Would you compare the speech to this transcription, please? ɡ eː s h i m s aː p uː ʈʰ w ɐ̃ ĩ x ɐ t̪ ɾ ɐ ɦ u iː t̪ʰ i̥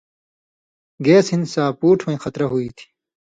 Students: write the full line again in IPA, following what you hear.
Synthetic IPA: ɡ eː s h i n s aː p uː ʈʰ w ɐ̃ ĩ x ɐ t̪ ɾ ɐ ɦ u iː t̪ʰ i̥